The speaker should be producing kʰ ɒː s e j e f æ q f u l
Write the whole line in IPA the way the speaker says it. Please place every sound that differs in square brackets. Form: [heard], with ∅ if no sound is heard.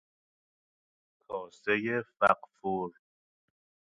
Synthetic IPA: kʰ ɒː s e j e f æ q f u [ɾ]

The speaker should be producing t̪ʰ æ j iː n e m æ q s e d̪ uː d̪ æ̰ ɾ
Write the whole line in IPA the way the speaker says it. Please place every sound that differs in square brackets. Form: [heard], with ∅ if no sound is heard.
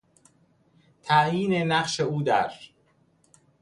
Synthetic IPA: t̪ʰ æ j iː n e [n] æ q [ʃ] e [∅] uː d̪ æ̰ ɾ

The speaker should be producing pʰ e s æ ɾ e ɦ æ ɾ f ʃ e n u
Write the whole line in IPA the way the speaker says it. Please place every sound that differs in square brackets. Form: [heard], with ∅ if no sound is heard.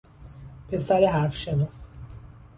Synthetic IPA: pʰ e s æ ɾ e ɦ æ ɾ f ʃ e n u

